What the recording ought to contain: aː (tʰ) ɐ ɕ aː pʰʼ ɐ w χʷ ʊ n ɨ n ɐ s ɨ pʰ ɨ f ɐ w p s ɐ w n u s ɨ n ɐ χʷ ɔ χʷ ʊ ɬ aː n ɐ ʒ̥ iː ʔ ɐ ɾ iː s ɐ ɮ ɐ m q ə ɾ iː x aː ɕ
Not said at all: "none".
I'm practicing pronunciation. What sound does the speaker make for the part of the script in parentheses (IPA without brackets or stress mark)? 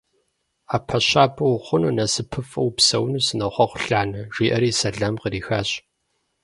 pʰ